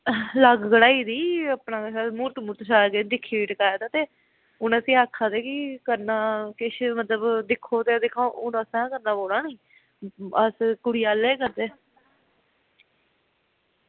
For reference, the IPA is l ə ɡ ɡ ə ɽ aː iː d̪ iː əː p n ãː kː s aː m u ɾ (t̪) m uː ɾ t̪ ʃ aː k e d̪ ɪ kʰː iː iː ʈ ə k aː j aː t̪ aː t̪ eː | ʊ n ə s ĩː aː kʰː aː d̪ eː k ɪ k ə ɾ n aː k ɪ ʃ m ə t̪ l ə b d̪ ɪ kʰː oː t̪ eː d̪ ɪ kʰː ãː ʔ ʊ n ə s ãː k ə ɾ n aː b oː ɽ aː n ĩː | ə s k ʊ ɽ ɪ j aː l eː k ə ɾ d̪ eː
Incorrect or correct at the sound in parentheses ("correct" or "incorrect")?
correct